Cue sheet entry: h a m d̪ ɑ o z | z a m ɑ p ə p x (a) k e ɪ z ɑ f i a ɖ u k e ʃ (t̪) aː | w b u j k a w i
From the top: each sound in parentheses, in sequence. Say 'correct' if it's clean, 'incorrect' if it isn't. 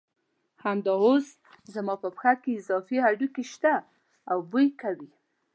correct, correct

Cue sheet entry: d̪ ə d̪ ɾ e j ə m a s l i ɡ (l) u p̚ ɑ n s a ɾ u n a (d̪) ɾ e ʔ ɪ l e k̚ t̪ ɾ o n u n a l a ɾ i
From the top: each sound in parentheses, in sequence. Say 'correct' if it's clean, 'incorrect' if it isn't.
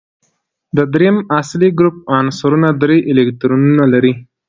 incorrect, correct

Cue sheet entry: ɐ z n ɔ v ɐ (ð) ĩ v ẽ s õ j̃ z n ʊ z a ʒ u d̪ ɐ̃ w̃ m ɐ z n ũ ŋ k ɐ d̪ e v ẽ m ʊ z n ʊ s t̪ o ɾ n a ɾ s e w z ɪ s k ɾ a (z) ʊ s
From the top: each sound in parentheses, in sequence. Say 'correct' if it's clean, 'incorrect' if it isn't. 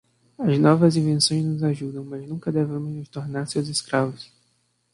incorrect, incorrect

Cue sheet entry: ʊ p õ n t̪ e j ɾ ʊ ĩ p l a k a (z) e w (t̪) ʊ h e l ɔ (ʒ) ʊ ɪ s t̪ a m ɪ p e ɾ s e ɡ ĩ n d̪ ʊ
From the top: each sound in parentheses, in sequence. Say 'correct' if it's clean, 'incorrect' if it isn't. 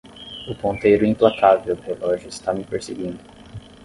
incorrect, incorrect, correct

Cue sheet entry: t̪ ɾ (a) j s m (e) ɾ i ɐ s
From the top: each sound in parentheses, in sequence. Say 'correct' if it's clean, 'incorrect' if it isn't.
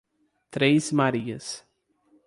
incorrect, incorrect

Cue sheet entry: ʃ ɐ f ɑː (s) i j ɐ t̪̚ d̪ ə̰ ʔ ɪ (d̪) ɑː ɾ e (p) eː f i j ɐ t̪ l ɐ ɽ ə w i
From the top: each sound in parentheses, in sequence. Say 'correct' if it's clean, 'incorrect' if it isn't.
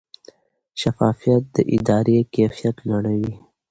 incorrect, correct, incorrect

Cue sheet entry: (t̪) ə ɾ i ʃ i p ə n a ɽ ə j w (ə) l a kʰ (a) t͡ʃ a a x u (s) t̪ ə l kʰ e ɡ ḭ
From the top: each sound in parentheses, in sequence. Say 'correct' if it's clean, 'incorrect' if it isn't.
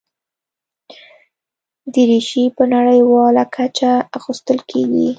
incorrect, incorrect, correct, correct

